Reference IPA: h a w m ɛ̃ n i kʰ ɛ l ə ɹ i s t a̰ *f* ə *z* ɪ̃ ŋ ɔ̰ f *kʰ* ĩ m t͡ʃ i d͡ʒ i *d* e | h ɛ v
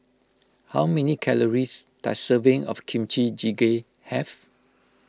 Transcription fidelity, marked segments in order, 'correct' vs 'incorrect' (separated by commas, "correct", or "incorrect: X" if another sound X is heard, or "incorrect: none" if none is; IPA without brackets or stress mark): incorrect: s, incorrect: v, correct, incorrect: ɡ